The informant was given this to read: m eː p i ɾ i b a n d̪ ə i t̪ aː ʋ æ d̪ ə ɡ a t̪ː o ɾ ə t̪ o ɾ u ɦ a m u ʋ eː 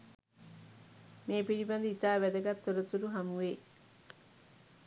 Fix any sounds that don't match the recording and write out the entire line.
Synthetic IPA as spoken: m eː p i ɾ i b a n d̪ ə i t̪ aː ʋ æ d̪ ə ɡ a t̪ː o ɾ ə t̪ u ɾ u ɦ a m u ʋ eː